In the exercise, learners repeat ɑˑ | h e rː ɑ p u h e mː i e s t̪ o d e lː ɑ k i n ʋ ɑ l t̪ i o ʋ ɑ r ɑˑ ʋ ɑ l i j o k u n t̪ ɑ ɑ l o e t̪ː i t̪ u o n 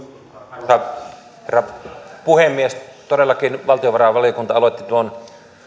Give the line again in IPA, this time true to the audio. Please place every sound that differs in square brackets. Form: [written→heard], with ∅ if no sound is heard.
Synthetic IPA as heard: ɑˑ | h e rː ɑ p u h e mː i e s t̪ o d e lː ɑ k i n ʋ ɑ l t̪ i o ʋ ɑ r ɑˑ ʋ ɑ l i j o k u n t̪ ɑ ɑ l o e t̪ː i t̪ u o n

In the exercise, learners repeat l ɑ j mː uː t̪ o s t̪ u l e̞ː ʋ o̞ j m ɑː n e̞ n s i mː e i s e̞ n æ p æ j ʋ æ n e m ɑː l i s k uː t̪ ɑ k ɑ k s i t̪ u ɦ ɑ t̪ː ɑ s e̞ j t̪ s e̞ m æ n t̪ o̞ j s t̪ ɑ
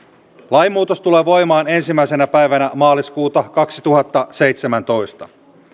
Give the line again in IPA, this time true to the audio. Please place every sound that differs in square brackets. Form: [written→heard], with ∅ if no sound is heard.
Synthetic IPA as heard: l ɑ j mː uː t̪ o s t̪ u l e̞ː ʋ o̞ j m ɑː n e̞ n s i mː [e→æ] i s e̞ n æ p æ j ʋ æ n [e→æ] m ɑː l i s k uː t̪ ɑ k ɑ k s i t̪ u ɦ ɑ t̪ː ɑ s e̞ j t̪ s e̞ m æ n t̪ o̞ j s t̪ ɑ

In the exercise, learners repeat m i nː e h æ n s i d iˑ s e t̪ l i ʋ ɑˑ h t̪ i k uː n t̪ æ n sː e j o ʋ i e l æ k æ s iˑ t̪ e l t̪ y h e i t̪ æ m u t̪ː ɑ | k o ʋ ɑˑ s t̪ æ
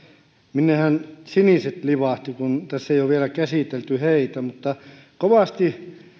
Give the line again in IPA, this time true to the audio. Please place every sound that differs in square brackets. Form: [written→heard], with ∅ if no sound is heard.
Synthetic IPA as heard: m i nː e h æ n s i [d→n] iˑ s e t̪ l i ʋ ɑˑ h t̪ i k [uː→u] n t̪ æ [n→∅] sː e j o ʋ i e l æ k æ s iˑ t̪ e l t̪ y h e i t̪ æ m u t̪ː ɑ | k o ʋ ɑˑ s t̪ [æ→i]

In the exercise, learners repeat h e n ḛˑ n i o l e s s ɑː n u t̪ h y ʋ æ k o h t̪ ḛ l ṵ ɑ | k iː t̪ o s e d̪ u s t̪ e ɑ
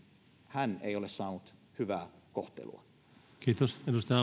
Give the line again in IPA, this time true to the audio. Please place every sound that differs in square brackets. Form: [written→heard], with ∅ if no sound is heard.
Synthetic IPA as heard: h [e→æ] n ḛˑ [n→∅] i o l e s s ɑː n u t̪ h y ʋ [æ→æː] k o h t̪ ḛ l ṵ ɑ | k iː t̪ o s e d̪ u s t̪ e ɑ

